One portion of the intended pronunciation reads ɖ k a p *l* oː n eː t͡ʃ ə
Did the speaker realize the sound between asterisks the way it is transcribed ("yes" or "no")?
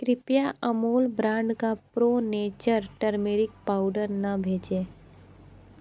no